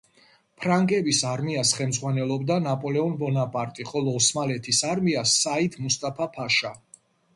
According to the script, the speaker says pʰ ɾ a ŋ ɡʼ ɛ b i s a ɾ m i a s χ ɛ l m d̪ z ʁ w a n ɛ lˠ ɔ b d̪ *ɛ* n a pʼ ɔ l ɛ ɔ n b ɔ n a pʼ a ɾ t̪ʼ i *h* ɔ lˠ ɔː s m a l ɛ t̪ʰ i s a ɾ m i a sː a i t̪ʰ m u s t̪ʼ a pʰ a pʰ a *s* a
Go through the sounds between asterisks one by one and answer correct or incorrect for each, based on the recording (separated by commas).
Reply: incorrect, incorrect, incorrect